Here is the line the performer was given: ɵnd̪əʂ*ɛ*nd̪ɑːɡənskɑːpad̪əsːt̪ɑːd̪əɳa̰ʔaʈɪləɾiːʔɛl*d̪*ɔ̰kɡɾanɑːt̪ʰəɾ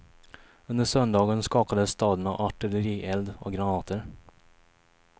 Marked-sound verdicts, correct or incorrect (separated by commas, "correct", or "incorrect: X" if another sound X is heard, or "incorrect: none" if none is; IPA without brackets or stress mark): incorrect: œ, correct